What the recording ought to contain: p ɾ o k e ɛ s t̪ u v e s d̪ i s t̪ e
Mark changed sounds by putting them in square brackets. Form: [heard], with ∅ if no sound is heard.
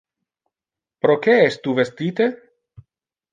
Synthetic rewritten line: p ɾ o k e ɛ s t̪ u v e s [t̪] i [∅] t̪ e

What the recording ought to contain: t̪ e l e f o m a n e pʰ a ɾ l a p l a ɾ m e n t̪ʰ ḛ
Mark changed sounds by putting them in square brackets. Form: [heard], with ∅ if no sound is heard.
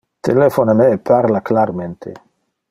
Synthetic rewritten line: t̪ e l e f o [n] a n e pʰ a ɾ l a [k] l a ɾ m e n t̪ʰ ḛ

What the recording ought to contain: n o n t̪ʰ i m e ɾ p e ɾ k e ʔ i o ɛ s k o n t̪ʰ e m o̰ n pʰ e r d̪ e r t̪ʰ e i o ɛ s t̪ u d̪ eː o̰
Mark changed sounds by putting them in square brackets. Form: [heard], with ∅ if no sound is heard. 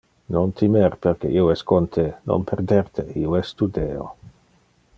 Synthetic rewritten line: n o n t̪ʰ i m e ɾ p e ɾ k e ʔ i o ɛ s k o n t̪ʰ e [n] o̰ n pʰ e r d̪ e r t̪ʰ e i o ɛ s t̪ u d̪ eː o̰

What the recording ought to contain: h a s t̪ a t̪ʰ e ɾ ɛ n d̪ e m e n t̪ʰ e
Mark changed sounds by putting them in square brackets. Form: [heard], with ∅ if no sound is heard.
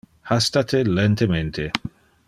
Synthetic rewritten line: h a s t̪ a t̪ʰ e [l] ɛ n [t̪] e m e n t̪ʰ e

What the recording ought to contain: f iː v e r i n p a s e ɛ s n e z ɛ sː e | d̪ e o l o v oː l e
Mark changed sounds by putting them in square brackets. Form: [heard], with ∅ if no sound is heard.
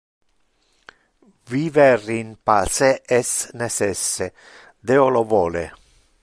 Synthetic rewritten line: [v] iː v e r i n p a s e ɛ s n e [s] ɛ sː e | d̪ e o l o v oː l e

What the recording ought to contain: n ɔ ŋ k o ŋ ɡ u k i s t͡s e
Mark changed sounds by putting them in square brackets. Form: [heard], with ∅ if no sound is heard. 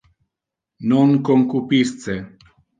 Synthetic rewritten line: n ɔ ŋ k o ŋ [k] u [p] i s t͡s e

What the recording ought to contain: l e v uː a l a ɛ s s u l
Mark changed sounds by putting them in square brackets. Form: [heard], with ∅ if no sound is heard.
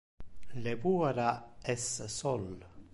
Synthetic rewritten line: l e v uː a [ɾ] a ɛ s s [ɔ] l

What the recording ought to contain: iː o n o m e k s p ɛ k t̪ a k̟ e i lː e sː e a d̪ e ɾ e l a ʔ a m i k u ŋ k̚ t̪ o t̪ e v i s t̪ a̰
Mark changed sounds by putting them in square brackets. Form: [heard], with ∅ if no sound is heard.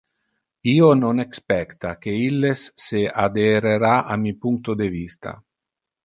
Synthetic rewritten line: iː o n o [n] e k s p ɛ k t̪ a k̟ e i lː e sː e a d̪ e ɾ e [ɾ] a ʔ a m i [p] u ŋ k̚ t̪ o [d̪] e v i s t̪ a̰

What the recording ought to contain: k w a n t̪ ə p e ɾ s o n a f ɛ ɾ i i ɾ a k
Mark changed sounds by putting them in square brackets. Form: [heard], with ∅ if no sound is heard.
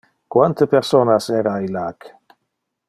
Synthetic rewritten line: k w a n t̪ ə p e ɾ s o n a [s] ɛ ɾ [a] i [l] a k

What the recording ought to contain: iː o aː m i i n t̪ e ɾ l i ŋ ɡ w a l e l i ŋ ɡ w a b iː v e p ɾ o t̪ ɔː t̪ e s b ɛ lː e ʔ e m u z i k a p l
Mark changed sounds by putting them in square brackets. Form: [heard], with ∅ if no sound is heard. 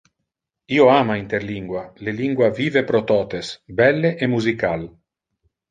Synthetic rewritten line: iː o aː m [a] i n t̪ e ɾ l i ŋ ɡ w a l e l i ŋ ɡ w a [v] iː v e p ɾ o t̪ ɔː t̪ e s b ɛ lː e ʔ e m u z i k a [∅] l

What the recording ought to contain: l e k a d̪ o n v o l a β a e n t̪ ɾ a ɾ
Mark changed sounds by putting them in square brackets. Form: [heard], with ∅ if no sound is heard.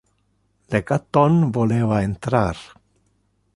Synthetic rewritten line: l e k a [t̪] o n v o l [e] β a e n t̪ ɾ a ɾ

